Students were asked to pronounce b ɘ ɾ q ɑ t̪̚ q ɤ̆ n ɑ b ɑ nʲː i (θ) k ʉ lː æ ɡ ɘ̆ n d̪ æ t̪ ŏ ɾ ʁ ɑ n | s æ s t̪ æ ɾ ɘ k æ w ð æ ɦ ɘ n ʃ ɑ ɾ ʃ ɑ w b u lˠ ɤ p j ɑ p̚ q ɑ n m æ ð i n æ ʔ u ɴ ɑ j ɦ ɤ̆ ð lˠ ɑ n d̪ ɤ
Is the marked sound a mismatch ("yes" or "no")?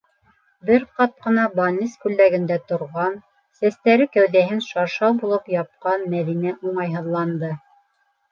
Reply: yes